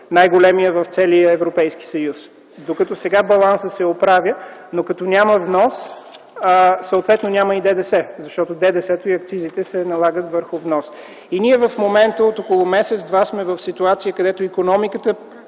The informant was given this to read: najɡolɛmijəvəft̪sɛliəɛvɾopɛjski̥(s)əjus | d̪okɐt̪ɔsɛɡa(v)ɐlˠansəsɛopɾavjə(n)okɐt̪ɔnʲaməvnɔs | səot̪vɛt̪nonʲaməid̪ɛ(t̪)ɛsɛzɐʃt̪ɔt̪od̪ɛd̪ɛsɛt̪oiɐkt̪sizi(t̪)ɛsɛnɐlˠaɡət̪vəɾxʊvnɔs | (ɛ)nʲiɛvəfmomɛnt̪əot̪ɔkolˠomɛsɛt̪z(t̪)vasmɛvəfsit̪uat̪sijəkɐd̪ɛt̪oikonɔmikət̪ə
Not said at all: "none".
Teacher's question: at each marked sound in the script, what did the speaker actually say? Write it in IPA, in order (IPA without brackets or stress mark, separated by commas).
s, b, n, d̪, t̪, i, d̪